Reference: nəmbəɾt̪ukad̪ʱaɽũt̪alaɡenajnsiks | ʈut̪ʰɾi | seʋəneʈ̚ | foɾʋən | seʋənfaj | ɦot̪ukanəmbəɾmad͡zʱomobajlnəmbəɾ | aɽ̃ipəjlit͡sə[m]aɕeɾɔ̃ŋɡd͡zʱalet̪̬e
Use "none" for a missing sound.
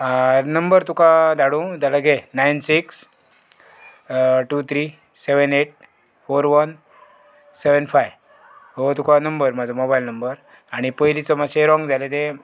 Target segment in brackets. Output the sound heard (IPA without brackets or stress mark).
m